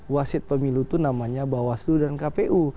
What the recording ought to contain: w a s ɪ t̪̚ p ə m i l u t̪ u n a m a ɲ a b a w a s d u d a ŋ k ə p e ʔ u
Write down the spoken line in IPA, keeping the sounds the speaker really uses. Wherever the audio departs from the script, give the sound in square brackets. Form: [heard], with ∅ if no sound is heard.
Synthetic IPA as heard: w a s ɪ t̪̚ p ə m i l u t̪ u n a m a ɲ a b a w a s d u d a [n] k [a] p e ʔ u